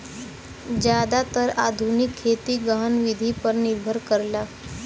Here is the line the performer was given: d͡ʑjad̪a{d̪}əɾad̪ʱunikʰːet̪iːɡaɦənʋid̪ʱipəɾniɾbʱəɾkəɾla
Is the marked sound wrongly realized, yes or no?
yes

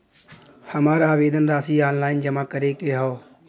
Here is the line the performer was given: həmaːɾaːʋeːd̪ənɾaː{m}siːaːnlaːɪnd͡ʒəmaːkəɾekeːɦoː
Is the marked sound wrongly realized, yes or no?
yes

